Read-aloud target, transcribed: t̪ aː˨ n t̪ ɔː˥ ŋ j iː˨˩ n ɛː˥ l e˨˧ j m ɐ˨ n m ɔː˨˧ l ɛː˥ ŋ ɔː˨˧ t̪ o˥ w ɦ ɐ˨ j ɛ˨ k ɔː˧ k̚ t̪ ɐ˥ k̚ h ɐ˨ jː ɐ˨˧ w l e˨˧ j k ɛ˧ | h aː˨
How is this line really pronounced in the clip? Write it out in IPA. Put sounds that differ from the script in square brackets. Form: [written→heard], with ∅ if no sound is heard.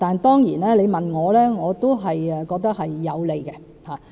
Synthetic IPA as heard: t̪ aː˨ n t̪ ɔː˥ ŋ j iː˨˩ n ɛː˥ l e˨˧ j m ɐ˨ n [m→ŋ] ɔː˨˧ l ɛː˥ ŋ ɔː˨˧ t̪ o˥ w ɦ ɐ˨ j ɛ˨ k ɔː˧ k̚ t̪ ɐ˥ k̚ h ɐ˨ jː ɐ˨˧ w l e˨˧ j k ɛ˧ | h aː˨